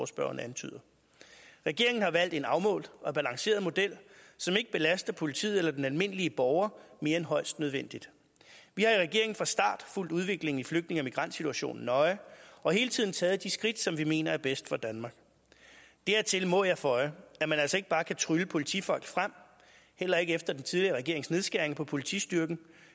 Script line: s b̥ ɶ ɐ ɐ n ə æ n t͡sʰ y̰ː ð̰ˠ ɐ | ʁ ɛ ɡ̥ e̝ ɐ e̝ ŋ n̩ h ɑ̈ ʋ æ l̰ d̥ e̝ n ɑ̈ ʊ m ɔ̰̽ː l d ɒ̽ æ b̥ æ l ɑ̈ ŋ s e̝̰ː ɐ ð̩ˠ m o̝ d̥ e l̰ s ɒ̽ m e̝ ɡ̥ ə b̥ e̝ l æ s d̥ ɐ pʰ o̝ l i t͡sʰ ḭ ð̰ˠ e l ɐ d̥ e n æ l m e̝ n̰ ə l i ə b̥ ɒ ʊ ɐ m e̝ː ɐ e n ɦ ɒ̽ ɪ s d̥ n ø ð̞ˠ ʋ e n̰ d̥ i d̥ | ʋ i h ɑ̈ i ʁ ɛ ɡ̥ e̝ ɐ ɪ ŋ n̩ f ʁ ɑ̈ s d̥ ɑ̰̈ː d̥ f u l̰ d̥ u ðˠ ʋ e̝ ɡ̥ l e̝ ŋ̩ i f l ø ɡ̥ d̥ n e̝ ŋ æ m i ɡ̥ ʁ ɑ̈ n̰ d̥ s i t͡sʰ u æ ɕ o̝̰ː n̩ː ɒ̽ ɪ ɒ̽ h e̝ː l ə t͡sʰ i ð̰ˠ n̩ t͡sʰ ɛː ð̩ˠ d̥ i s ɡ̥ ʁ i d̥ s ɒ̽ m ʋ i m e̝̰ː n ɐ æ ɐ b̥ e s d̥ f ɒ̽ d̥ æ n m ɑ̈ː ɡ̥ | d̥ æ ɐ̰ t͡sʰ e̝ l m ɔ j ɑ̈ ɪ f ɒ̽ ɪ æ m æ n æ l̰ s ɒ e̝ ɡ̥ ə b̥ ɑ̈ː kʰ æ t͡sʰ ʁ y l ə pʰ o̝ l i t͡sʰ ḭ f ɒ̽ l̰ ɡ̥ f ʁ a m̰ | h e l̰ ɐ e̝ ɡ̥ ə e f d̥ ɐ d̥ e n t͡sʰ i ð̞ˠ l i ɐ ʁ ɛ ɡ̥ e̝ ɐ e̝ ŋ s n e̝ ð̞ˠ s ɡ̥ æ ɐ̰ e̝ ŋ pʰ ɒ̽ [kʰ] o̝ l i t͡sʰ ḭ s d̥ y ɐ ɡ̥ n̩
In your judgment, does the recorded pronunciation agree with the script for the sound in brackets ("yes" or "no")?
no